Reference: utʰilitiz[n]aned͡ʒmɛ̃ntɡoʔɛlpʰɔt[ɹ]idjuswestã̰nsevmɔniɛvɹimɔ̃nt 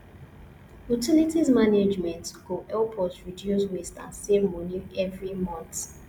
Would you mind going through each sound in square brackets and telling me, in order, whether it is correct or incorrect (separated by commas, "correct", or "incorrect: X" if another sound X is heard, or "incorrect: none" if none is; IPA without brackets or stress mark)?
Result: incorrect: m, correct